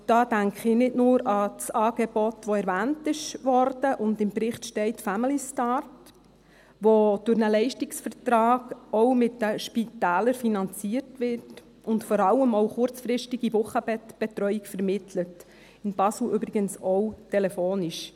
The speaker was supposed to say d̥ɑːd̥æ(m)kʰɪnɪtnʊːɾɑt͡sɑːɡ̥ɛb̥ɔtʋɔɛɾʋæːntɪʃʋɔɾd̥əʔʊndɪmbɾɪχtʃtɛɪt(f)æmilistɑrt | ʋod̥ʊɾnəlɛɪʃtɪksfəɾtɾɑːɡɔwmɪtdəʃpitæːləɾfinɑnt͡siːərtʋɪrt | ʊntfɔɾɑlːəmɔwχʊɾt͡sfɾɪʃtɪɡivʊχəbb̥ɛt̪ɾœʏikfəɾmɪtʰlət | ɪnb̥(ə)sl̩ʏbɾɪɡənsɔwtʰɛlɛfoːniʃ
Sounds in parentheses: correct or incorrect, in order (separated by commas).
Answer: incorrect, correct, incorrect